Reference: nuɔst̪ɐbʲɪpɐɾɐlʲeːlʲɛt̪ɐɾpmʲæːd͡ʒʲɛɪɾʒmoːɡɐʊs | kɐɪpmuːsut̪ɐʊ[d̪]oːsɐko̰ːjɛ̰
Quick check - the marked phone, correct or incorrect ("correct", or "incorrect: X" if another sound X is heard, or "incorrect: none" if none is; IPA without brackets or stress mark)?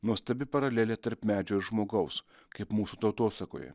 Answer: incorrect: t̪